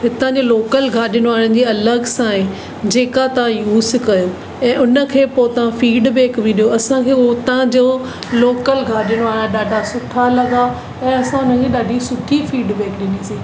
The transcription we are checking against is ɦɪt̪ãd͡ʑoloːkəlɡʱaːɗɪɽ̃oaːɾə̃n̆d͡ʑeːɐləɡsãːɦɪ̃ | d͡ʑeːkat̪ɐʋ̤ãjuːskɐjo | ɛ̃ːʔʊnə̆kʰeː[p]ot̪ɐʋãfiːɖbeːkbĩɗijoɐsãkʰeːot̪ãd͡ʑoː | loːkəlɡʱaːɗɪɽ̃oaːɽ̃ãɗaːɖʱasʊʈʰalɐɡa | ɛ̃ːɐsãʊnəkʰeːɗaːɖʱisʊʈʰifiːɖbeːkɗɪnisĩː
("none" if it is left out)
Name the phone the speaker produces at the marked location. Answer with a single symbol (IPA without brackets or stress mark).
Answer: p